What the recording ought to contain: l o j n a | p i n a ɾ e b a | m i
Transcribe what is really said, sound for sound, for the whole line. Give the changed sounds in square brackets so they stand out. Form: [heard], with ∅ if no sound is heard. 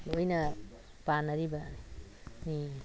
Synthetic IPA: l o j n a | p [a] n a ɾ [i] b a | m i